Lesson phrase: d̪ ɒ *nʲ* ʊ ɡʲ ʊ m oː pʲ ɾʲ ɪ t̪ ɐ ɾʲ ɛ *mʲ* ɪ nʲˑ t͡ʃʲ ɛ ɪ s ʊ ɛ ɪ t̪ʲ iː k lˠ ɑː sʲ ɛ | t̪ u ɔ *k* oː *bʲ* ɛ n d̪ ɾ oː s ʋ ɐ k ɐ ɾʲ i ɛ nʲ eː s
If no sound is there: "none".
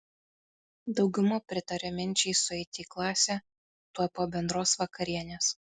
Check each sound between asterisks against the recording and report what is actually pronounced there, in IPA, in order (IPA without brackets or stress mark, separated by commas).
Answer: none, mʲ, p, bʲ